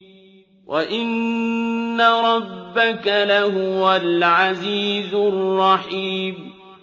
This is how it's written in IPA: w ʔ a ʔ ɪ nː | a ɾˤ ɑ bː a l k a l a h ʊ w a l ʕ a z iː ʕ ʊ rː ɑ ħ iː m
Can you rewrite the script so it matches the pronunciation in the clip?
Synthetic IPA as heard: w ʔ a ʔ ɪ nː | a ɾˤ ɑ bː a k a l a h ʊ w a l ʕ a z iː z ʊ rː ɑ ħ iː m

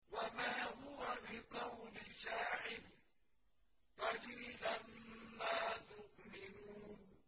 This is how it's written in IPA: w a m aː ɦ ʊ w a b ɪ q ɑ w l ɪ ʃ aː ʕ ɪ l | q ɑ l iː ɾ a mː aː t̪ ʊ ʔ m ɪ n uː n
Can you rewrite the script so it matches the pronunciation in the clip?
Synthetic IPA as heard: w a m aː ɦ ʊ w a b ɪ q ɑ w l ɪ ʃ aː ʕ ɪ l | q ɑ l iː l a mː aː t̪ ʊ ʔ m ɪ n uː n

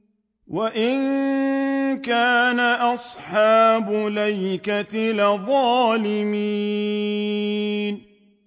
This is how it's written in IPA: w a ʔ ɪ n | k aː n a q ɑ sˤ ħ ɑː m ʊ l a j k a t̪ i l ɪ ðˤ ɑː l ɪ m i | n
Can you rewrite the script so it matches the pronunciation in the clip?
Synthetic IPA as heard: w a ʔ ɪ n | k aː n a ʔ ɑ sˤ ħ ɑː b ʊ l a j k a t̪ ɪ l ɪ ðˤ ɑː l ɪ m i | n

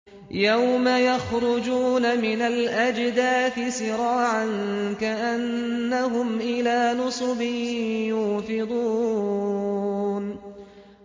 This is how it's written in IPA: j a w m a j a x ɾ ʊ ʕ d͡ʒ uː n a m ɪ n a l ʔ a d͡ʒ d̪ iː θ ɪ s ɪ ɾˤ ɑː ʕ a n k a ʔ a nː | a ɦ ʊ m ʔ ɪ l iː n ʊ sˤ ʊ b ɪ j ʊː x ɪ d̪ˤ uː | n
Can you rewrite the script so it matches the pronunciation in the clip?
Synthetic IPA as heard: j a w m a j a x ɾ ʊ d͡ʒ uː n a m ɪ n a l ʔ a d͡ʒ d̪ aː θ ɪ s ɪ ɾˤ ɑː ʕ a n k a ʔ a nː | a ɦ ʊ m ʔ ɪ l aː n ʊ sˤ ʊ b ɪ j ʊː f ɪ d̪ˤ uː | n

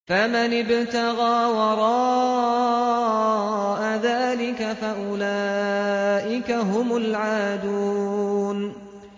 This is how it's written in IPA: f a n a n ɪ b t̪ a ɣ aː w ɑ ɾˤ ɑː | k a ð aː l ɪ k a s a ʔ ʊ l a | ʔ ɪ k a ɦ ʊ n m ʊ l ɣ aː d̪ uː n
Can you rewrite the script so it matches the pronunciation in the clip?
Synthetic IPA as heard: f a m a n ɪ b t̪ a ɣ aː w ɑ ɾˤ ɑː | ʔ a ð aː l ɪ k a f a ʔ ʊ l a | ʔ ɪ k a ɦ ʊ m ʊ l ʕ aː d̪ uː n

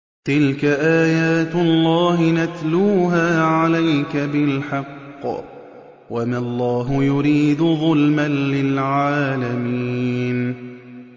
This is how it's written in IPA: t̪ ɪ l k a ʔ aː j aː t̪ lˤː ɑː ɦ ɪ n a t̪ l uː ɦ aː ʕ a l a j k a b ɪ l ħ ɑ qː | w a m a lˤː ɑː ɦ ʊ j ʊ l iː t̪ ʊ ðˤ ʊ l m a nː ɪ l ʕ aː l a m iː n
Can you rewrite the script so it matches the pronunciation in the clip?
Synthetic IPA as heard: t̪ ɪ l k a ʔ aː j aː t̪ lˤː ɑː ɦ ɪ n a t̪ l uː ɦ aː ʕ a l a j k a b ɪ l ħ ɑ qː | w a m a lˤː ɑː ɦ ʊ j ʊ ɾ iː d̪ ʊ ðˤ ʊ l m a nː ɪ l ʕ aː l a m iː n

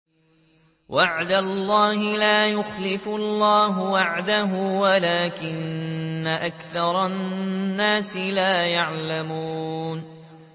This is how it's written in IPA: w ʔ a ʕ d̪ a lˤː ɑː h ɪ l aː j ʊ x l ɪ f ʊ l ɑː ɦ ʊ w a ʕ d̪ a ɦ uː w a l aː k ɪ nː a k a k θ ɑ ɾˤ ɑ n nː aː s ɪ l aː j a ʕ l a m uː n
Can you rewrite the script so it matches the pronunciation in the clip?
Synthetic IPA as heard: w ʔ a ʕ d̪ a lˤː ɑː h ɪ l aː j ʊ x l ɪ f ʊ lː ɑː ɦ ʊ w a ʕ d̪ a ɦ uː w a l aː k ɪ nː a ʔ a k θ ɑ ɾˤ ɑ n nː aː s ɪ l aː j a ʕ l a m uː n

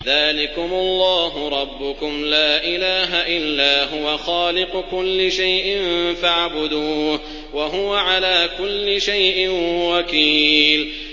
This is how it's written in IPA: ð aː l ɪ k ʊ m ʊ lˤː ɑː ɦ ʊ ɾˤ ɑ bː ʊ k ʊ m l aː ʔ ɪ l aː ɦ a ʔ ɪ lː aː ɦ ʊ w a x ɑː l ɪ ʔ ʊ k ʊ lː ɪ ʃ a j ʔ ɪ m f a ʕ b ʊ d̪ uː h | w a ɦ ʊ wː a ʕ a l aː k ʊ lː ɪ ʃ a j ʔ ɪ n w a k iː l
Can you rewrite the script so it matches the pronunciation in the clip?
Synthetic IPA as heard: ð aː l ɪ k ʊ m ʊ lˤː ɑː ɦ ʊ ɾˤ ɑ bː ʊ k ʊ m l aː ʔ ɪ l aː ɦ a ʔ ɪ lː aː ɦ ʊ w a x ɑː l ɪ q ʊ k ʊ lː ɪ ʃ a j ʔ ɪ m f a ʕ b ʊ d̪ uː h | w a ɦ ʊ w a ʕ a l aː k ʊ lː ɪ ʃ a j ʔ ɪ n w a k iː l

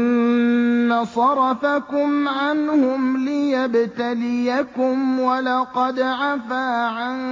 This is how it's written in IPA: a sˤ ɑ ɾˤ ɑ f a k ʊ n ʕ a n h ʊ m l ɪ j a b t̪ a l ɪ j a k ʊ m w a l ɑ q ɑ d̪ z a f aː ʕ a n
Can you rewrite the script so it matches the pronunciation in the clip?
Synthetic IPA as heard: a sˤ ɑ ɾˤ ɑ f a k ʊ m ʕ a n h ʊ m l ɪ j a b t̪ a l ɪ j a k ʊ m w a l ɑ q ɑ d̪ ʕ a f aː ʕ a n

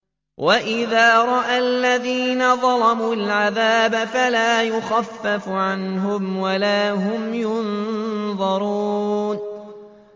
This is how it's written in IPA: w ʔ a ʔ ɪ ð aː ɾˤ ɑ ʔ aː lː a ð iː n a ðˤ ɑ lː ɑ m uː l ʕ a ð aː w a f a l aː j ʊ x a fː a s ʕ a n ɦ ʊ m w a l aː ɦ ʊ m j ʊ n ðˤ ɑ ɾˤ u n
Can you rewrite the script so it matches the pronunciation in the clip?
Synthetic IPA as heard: w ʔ a ʔ ɪ ð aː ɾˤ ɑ ʔ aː lː a ð iː n a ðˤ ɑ l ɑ m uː l ʕ a ð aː b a f a l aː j ʊ x a fː a f ʕ a n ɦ ʊ m w a l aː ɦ ʊ m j ʊ n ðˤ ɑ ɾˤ u n

